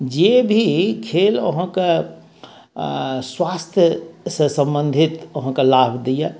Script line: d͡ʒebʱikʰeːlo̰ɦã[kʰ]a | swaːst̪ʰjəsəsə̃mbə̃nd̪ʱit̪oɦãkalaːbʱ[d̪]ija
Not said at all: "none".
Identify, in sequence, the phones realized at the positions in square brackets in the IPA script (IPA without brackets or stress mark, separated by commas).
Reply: k, d̪